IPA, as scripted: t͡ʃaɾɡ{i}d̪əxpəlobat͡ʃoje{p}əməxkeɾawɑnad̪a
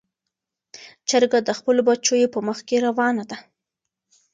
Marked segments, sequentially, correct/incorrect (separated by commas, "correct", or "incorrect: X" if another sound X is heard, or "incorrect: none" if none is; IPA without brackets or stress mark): incorrect: a, correct